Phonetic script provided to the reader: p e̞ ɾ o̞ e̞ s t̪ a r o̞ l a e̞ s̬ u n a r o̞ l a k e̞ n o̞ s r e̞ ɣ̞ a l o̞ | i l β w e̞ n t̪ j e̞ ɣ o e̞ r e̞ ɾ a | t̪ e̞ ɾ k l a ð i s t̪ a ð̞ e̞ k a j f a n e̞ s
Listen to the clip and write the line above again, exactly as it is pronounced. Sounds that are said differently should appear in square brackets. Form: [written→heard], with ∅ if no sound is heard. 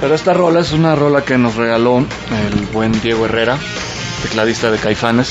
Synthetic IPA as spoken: p e̞ ɾ o̞ e̞ s t̪ a r o̞ l a e̞ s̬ u n a r o̞ l a k e̞ n o̞ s r e̞ ɣ̞ a l o̞ | [i→e] l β w e̞ n [t̪→d̪] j e̞ ɣ o e̞ r e̞ ɾ a | t̪ e̞ [ɾ→∅] k l a ð i s t̪ a ð̞ e̞ k a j f a n e̞ s